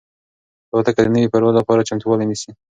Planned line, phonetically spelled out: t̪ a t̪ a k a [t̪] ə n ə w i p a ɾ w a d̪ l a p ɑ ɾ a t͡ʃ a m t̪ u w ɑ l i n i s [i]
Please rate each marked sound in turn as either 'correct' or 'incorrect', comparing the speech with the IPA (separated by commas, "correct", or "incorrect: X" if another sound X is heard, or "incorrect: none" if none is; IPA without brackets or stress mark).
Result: incorrect: d̪, correct